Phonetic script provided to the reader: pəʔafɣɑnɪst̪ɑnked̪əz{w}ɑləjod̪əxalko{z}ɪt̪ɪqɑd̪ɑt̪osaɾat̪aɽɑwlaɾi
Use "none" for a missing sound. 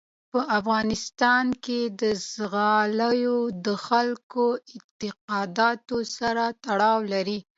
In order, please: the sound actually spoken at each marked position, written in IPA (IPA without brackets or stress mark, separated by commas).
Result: ɣ, none